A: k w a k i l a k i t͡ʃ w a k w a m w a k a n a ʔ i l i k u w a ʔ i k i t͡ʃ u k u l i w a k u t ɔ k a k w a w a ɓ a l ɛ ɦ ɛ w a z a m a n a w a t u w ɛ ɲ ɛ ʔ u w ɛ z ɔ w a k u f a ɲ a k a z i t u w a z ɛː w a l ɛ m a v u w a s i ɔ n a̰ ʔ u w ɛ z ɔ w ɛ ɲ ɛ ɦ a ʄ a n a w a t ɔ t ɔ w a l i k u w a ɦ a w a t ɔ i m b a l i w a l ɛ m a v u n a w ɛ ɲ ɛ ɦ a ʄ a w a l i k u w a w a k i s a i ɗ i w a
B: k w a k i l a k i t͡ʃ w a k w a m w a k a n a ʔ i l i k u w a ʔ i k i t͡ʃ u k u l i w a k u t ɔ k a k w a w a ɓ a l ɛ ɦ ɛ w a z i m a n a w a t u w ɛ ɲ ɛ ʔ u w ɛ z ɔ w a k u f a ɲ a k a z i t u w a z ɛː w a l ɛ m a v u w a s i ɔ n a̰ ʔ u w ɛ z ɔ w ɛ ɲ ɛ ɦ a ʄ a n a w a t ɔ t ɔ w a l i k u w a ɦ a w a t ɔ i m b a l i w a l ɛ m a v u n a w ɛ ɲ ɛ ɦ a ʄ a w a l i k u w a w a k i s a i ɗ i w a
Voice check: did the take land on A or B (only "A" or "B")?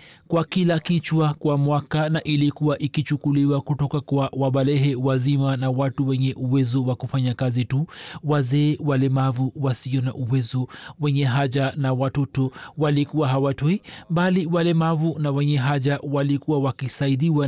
B